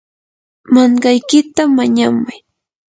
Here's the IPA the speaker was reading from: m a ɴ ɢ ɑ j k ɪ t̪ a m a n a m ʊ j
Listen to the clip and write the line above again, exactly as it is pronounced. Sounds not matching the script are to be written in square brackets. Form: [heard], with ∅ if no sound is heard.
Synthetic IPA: m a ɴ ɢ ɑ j k ɪ t̪ a m a [ɲ] a m ʊ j